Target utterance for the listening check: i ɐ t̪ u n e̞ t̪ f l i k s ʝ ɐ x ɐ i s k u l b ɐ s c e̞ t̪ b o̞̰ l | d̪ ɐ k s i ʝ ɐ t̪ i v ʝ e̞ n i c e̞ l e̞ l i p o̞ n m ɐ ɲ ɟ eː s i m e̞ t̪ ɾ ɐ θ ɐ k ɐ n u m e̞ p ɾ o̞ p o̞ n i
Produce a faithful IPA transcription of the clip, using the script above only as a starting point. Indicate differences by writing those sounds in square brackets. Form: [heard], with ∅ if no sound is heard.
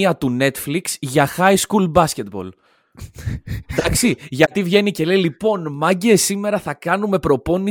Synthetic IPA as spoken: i ɐ t̪ u n e̞ t̪ f l i k s ʝ ɐ x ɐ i s k u l b ɐ s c e̞ t̪ b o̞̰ l | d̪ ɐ k s i ʝ ɐ t̪ i v ʝ e̞ n i c e̞ l e̞ l i p o̞ n m ɐ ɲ ɟ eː s i m e̞ [∅] ɾ ɐ θ ɐ k ɐ n u m e̞ p ɾ o̞ p o̞ n i